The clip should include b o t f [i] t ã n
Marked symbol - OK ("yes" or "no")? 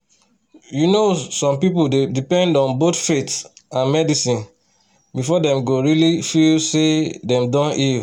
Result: no